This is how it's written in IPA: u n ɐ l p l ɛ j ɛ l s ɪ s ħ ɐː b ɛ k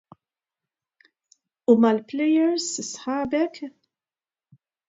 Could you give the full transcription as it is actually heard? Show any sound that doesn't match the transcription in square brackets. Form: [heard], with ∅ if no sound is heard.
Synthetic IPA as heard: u [m] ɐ l p l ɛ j ɛ [ɾ] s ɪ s ħ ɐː b ɛ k